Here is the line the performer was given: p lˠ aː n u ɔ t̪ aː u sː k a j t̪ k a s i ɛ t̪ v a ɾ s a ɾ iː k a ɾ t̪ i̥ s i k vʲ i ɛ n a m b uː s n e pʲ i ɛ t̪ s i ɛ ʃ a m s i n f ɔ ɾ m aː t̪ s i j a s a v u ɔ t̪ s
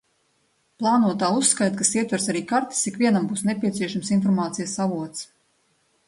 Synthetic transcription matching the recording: p lˠ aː n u ɔ t̪ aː u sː k a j t̪ k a s i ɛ t̪ v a ɾ s a ɾ iː k a ɾ t̪ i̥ s i k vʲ i ɛ n a m b uː s n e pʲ i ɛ t̪ s i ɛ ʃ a m s i n f ɔ ɾ m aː t̪ s i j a s a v u ɔ t̪ s